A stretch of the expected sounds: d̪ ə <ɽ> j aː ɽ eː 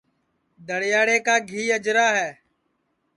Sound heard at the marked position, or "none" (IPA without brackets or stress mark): ɽ